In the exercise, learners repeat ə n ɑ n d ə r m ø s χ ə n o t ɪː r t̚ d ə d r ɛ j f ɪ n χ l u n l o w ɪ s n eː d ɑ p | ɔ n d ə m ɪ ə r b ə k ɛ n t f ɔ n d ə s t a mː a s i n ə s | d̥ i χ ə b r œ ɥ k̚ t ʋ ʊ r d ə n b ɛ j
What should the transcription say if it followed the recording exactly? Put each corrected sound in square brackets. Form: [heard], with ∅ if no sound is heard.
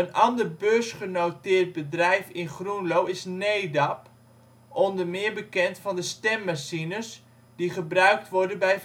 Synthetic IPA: ə n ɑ n d ə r [b] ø s χ ə n o t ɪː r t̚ [b] ə d r ɛ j f ɪ n χ [r] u n l o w ɪ s n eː d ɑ p | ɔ n d ə m ɪ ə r b ə k ɛ n t f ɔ n d ə s t [ɛ] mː a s i n ə s | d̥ i χ ə b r œ ɥ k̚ t ʋ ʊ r d ə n b ɛ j